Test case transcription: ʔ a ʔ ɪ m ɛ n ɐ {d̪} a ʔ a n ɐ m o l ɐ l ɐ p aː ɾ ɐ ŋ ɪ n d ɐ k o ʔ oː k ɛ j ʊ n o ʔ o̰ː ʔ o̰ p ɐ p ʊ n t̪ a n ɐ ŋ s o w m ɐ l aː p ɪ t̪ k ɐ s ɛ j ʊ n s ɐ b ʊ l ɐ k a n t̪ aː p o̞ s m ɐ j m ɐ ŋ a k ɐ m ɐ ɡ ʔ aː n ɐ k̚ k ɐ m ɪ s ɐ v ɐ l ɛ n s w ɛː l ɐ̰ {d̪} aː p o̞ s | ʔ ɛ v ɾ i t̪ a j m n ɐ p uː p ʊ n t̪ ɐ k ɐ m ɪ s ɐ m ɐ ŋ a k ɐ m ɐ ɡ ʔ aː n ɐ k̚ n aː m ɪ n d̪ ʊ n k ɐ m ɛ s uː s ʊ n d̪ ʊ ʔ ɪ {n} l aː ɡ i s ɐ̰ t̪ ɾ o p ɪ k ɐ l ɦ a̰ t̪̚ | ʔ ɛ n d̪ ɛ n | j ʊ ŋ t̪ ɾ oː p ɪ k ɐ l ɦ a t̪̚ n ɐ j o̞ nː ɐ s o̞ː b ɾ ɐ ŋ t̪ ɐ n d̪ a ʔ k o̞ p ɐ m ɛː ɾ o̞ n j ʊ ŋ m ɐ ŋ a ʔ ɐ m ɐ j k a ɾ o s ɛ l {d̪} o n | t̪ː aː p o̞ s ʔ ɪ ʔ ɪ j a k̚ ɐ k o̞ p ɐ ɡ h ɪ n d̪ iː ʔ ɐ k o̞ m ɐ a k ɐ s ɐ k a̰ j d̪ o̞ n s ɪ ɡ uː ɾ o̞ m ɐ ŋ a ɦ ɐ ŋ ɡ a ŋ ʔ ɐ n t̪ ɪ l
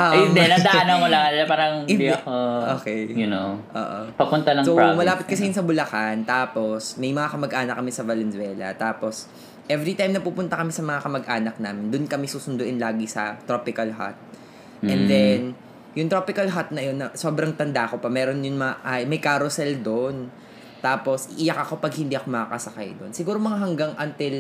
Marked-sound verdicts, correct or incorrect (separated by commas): correct, incorrect, correct, correct